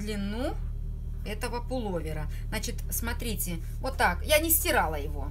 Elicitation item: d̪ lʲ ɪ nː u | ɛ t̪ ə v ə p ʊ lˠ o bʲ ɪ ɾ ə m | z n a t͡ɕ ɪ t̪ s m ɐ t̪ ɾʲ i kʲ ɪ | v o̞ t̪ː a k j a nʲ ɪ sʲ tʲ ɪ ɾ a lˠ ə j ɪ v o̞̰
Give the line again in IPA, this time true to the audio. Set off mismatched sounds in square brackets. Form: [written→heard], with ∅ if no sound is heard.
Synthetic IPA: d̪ lʲ ɪ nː u | ɛ t̪ ə v ə p ʊ lˠ o [bʲ→vʲ] ɪ ɾ ə [m→∅] | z n a t͡ɕ ɪ t̪ s m ɐ t̪ ɾʲ i [kʲ→tʲ] ɪ | v o̞ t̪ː a k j a nʲ ɪ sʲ tʲ ɪ ɾ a lˠ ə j ɪ v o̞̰